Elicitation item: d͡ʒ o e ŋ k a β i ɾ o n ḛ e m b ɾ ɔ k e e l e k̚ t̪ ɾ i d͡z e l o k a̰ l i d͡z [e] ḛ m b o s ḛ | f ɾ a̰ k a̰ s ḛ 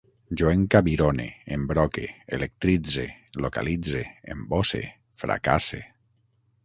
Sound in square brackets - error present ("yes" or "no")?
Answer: no